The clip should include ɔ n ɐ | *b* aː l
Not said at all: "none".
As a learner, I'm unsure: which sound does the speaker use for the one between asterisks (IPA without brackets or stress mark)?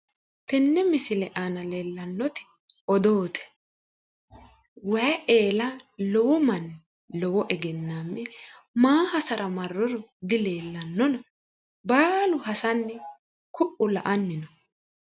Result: b